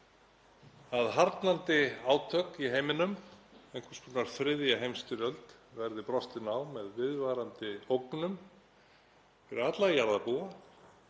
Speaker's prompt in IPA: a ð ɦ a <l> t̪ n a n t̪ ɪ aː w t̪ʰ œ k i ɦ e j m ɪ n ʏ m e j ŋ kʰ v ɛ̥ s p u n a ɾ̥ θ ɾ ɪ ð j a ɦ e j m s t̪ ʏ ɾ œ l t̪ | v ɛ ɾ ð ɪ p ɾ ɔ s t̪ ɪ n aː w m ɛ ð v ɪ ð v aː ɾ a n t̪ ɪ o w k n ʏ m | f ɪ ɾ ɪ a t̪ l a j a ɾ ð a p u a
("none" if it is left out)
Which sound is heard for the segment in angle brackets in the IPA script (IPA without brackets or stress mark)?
ɾ